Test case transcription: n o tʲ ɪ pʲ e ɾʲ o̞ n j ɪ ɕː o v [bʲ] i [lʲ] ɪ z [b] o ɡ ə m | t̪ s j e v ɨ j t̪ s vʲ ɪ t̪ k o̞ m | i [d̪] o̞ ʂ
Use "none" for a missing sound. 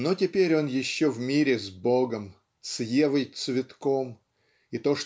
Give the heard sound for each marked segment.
mʲ, ɾʲ, b, t̪

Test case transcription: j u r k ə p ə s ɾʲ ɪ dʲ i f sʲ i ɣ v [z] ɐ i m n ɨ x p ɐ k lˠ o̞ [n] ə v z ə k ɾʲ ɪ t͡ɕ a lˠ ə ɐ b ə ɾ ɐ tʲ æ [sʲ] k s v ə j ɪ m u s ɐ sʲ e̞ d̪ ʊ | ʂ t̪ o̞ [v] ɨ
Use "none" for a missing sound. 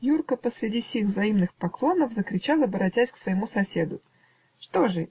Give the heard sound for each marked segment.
z, n, sʲ, ʐ

